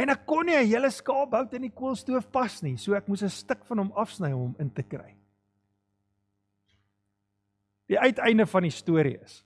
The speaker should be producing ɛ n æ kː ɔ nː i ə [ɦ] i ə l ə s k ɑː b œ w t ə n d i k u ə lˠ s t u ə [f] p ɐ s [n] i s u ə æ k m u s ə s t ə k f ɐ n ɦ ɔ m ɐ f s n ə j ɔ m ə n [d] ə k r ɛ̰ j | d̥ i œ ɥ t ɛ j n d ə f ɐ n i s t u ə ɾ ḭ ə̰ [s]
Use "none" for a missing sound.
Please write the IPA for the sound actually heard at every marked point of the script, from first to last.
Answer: ɦ, f, n, t, s

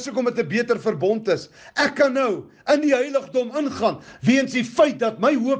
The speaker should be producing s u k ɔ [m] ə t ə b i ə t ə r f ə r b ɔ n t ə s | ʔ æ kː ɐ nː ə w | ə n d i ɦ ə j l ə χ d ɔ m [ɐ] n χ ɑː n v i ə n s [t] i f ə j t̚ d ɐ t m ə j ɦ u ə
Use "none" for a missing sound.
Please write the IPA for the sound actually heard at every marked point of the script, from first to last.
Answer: m, ə, d

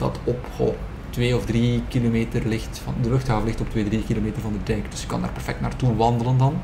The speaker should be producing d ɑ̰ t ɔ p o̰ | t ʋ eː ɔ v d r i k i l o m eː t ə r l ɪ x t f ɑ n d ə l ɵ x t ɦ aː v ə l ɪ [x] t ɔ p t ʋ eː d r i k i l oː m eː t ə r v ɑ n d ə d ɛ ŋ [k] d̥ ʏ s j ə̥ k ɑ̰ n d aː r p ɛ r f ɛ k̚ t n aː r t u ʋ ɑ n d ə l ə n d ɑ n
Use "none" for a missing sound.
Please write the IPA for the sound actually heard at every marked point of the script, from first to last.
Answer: x, k

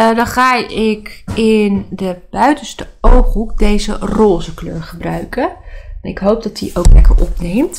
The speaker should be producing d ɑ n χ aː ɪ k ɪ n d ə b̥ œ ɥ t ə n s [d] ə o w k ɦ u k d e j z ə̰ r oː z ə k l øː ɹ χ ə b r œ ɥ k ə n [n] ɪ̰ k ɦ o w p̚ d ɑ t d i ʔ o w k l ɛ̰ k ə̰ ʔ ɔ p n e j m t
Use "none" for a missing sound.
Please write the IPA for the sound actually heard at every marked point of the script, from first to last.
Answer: t, n

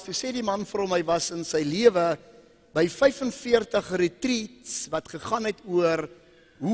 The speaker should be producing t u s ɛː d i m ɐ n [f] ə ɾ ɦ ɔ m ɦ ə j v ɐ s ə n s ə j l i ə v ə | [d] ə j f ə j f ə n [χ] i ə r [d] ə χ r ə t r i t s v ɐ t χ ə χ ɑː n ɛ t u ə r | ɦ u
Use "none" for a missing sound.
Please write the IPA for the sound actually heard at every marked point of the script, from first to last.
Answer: f, b, f, t

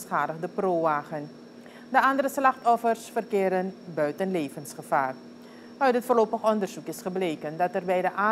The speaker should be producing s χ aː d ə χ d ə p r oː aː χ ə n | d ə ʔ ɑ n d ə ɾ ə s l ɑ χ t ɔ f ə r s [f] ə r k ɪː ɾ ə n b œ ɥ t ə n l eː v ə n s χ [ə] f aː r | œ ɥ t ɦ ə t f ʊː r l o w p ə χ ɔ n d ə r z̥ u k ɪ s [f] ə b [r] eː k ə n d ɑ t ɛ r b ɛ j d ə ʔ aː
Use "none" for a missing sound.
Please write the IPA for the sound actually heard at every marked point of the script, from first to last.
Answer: f, ə, χ, l

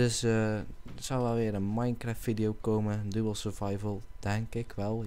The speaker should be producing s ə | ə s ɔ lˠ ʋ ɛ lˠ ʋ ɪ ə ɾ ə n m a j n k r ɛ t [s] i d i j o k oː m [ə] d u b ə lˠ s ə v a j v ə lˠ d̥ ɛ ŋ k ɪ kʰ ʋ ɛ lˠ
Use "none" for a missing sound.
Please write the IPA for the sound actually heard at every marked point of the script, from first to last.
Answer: f, ə

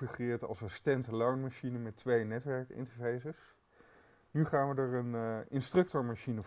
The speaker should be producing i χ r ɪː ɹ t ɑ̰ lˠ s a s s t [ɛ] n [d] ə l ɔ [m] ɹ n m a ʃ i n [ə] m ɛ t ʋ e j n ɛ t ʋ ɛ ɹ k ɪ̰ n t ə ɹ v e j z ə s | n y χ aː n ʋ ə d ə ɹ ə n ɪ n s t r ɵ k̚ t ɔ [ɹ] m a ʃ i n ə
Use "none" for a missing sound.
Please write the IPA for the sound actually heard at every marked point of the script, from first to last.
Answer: ɛ, t, none, ə, ɹ

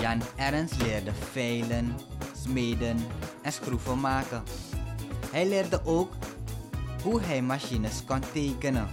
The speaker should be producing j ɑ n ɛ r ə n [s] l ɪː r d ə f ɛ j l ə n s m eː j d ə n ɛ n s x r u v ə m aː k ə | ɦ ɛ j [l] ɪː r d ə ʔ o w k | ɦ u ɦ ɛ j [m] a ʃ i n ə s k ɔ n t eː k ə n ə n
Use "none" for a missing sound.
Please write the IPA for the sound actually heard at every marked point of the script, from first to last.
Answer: s, l, m

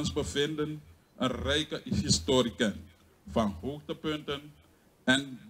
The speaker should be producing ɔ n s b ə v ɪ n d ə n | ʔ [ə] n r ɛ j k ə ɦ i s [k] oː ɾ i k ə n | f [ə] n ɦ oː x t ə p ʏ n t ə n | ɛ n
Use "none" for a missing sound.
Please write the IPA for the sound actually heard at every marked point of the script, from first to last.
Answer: ə, t, ɑ

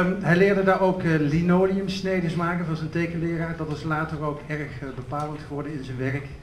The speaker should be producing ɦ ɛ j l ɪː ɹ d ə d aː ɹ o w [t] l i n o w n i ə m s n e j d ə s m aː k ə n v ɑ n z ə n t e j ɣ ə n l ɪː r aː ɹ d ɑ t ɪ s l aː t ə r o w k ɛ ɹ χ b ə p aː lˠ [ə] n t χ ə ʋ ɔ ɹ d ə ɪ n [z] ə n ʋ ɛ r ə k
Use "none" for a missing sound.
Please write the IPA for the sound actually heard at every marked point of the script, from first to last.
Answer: k, ə, z

